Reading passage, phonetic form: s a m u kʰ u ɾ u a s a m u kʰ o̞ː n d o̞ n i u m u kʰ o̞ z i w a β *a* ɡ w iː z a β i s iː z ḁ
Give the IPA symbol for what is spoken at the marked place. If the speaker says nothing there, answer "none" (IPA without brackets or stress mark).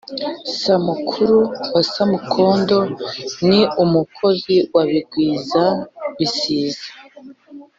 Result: i